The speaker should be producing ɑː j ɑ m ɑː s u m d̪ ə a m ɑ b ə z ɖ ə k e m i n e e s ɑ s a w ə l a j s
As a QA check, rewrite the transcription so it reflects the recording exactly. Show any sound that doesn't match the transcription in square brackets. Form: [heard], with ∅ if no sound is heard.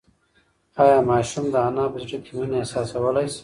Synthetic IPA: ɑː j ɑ m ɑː [ʃ] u m d̪ ə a [n] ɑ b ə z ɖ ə k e m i n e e s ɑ s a w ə l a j s